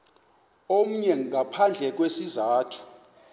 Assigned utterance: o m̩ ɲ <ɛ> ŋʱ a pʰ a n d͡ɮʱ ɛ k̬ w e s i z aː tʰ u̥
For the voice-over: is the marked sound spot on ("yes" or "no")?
yes